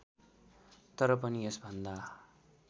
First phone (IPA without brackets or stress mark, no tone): t̪